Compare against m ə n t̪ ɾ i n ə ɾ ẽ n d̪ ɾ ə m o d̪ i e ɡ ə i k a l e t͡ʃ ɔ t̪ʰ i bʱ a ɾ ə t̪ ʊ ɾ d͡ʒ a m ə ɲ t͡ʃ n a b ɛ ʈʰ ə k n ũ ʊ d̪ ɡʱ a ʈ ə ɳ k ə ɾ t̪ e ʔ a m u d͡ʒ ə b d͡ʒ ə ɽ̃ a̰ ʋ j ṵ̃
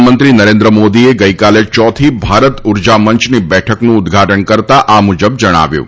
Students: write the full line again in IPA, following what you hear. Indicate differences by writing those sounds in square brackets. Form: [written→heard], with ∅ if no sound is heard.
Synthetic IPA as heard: m ə n t̪ ɾ i n ə ɾ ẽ n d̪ ɾ ə m o d̪ i e ɡ ə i k a l e t͡ʃ ɔ t̪ʰ i bʱ a ɾ ə t̪ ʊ ɾ d͡ʒ a m ə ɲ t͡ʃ n [a→i] b ɛ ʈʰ ə k n ũ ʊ d̪ ɡʱ a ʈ ə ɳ k ə ɾ t̪ [e→a] ʔ a m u d͡ʒ ə b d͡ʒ ə ɽ̃ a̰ ʋ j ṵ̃